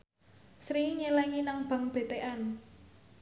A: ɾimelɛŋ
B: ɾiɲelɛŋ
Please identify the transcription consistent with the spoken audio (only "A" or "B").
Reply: B